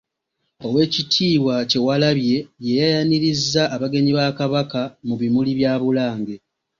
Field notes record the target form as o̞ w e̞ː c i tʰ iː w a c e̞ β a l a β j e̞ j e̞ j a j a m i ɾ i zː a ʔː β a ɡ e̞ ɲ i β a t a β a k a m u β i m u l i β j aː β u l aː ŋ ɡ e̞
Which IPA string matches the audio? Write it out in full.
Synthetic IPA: o̞ w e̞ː c i tʰ iː w a c e̞ w a l a β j e̞ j e̞ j a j a n i ɾ i zː a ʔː β a ɡ e̞ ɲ i β a k a β a k a m u β i m u l i β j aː β u l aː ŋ ɡ e̞